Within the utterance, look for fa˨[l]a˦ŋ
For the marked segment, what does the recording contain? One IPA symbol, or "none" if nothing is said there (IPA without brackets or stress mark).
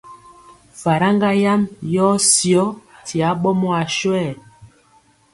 ɾ